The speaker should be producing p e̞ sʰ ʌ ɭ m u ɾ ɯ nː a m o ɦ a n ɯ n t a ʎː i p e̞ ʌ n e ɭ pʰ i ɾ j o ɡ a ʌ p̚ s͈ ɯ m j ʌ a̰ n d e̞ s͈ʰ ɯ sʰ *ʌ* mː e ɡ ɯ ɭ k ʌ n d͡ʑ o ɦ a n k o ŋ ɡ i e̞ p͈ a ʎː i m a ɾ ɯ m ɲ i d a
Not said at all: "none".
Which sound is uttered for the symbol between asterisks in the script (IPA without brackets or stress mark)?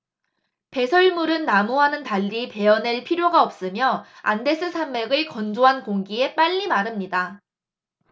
a